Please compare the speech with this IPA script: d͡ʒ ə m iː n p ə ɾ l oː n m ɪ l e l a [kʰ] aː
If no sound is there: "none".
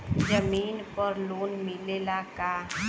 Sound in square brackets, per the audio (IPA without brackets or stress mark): k